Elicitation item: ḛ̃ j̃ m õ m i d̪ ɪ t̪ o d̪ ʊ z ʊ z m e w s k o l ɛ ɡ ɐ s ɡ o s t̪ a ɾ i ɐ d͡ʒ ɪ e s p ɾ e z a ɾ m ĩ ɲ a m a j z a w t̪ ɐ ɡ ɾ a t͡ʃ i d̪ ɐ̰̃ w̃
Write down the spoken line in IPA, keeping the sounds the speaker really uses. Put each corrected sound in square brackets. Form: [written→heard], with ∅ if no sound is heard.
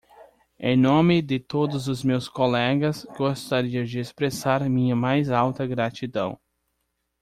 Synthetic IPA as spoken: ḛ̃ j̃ [m→n] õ m [i→ɪ] d̪ ɪ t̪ o d̪ ʊ z ʊ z m e w s k o l ɛ ɡ ɐ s ɡ o s t̪ a ɾ i ɐ d͡ʒ ɪ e s p ɾ e [z→s] a ɾ m ĩ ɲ [a→ɐ] m a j z a w t̪ ɐ ɡ ɾ a t͡ʃ i d̪ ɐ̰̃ w̃